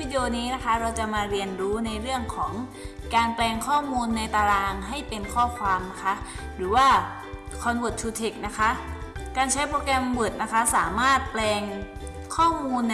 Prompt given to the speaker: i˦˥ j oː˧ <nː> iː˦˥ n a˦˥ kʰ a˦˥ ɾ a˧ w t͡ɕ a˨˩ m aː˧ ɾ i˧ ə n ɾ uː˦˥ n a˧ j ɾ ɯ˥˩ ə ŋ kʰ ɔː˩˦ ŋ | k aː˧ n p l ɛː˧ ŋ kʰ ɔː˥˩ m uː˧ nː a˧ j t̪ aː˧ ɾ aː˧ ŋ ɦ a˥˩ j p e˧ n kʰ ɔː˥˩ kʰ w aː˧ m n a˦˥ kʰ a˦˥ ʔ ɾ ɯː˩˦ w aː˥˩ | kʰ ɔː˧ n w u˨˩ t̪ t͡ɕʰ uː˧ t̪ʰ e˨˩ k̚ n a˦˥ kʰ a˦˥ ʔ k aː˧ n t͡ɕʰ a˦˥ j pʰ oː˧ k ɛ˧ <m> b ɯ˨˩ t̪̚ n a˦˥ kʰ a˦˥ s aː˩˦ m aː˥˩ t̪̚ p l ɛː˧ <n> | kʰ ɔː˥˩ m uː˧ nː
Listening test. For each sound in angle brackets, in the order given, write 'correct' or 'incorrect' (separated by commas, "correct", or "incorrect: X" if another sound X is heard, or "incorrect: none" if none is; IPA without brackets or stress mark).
incorrect: n, correct, incorrect: ŋ